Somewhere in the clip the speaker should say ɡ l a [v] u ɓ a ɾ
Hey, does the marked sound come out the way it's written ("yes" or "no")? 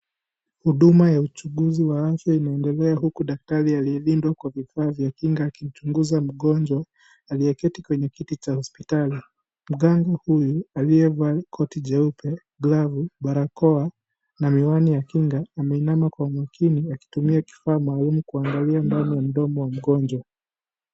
yes